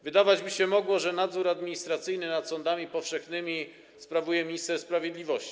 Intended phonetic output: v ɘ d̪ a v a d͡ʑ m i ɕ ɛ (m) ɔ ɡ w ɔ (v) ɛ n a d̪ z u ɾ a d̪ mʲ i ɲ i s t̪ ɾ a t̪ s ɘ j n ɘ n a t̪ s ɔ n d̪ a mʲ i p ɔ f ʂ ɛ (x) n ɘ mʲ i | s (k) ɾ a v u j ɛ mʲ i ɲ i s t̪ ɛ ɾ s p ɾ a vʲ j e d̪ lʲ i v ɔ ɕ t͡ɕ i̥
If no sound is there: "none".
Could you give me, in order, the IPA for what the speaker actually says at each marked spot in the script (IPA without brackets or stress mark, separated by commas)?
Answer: m, ʐ, x, p